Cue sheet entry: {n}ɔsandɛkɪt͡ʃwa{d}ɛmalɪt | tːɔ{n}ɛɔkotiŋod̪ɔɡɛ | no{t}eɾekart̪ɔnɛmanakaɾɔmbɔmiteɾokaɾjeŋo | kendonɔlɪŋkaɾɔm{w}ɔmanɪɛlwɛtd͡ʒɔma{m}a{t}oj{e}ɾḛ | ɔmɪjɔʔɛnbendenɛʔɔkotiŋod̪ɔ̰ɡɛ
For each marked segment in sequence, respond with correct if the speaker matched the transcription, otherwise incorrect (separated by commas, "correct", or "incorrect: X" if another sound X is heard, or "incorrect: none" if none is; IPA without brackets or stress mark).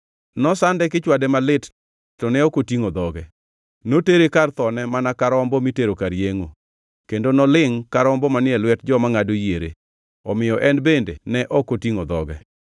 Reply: correct, correct, correct, correct, incorrect: b, incorrect: ŋ, incorrect: d, correct